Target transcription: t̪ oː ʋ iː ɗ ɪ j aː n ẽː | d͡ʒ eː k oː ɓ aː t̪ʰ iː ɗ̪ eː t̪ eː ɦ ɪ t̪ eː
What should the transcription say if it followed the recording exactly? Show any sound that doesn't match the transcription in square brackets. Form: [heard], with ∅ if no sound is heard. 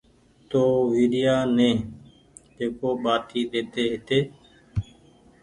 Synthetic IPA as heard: t̪ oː ʋ iː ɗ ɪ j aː n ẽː | d͡ʒ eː k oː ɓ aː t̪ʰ iː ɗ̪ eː t̪ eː ɦ ɪ t̪ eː